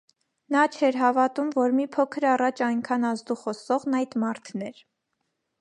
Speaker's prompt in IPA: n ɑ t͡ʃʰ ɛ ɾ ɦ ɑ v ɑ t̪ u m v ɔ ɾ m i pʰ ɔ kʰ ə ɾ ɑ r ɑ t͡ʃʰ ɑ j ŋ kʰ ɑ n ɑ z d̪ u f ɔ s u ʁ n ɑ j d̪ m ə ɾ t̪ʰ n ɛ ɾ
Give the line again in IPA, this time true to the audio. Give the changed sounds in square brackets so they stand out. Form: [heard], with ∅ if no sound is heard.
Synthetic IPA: n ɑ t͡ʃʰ ɛ ɾ ɦ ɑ v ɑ t̪ u m v ɔ ɾ m i pʰ ɔ kʰ ə ɾ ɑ r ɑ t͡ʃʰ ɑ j ŋ kʰ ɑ n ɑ z d̪ u [χ] ɔ s [ɔ] ʁ n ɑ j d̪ m [ɑ] ɾ t̪ʰ n ɛ ɾ